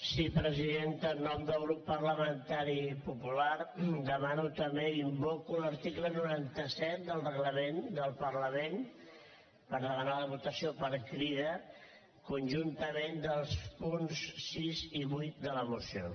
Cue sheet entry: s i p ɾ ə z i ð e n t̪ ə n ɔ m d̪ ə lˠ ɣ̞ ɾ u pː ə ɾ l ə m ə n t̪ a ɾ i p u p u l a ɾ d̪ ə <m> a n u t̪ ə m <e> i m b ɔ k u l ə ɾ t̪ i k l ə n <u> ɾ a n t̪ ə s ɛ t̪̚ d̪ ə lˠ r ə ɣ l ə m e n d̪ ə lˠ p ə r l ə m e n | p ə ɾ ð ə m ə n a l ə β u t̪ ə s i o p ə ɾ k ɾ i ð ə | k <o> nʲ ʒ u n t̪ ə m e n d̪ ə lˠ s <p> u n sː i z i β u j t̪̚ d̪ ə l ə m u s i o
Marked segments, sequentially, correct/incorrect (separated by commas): correct, correct, correct, incorrect, correct